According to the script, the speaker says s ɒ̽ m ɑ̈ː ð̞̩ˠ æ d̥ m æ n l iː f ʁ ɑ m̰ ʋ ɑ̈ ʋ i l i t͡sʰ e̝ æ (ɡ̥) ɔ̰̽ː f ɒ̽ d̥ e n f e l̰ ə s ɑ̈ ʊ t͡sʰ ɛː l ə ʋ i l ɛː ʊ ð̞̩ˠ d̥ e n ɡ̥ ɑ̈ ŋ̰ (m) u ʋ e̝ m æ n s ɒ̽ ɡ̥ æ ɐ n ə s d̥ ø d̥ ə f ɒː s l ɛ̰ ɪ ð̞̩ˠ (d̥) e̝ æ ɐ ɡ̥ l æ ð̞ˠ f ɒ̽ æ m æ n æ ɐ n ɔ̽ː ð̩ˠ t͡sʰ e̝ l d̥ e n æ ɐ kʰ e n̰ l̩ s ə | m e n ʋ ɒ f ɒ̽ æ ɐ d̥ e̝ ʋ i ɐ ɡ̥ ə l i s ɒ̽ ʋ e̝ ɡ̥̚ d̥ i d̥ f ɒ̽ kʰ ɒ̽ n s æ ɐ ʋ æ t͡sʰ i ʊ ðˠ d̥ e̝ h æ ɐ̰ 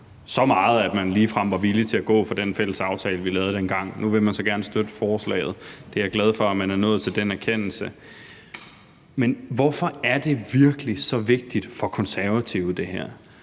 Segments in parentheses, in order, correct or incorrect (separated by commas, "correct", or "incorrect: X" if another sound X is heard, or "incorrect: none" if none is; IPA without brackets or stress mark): correct, incorrect: n, correct